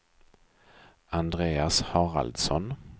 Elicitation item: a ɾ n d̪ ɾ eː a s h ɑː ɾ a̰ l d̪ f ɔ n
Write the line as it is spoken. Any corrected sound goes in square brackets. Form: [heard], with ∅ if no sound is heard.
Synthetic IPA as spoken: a [∅] n d̪ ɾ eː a s h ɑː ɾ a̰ l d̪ [s] ɔ n